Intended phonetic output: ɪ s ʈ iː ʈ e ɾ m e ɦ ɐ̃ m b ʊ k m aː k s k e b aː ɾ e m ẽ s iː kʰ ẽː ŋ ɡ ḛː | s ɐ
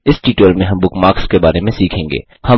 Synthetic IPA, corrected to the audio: ɪ s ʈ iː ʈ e l m ẽ ɦ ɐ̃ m b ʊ k m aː k s k e b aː ɾ e m ẽ s iː kʰ ẽː ŋ ɡ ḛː | h ɐ